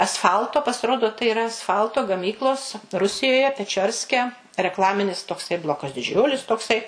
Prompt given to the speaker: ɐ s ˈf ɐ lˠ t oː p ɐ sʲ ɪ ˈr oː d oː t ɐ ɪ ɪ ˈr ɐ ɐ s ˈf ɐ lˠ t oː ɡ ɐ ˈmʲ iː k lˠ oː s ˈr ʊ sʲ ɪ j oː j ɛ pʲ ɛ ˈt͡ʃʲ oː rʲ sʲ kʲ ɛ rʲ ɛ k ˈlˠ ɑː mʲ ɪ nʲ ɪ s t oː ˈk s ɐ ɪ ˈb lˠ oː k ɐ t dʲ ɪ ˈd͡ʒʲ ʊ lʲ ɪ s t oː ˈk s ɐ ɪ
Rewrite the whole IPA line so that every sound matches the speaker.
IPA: ɐ s ˈf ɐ lˠ t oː p ɐ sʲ ɪ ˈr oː d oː t ɐ ɪ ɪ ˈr ɐ ɐ s ˈf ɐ lˠ t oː ɡ ɐ ˈmʲ iː k lˠ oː s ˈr ʊ sʲ ɪ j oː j ɛ pʲ ɛ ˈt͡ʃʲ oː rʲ sʲ kʲ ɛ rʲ ɛ k ˈlˠ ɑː mʲ ɪ nʲ ɪ s t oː ˈk s ɐ ɪ ˈb lˠ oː k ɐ s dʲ ɪ ˈd͡ʒʲ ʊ lʲ ɪ s t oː ˈk s ɐ ɪ